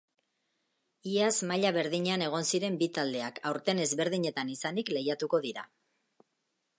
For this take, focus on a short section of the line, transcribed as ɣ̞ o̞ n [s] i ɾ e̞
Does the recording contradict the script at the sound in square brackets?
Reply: no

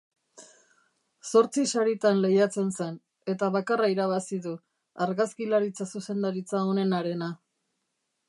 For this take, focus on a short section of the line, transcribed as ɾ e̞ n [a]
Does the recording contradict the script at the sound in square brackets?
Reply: no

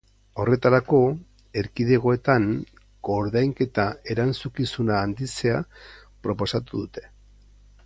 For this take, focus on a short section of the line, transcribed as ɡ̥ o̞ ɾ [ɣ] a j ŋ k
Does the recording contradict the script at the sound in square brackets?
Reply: yes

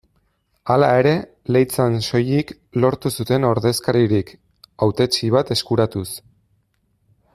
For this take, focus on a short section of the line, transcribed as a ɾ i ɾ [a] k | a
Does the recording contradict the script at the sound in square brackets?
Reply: yes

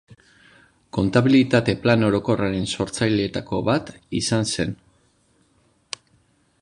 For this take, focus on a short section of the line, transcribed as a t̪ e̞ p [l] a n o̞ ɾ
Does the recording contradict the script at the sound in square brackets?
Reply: no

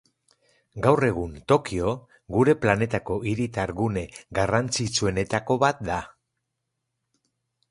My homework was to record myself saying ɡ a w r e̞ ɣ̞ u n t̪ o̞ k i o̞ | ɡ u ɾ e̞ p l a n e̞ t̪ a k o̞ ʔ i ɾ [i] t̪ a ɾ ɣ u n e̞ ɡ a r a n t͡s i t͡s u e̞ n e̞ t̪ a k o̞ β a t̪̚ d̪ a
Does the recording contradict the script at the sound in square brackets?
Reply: no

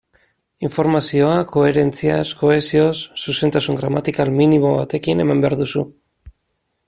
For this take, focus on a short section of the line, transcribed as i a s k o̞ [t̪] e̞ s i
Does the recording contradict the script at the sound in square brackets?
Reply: yes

